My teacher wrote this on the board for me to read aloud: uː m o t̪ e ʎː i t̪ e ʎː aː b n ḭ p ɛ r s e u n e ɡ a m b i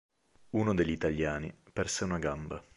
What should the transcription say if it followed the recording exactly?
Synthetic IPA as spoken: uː n o d̪ e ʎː i t̪ a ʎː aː n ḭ p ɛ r s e u n a ɡ a m b a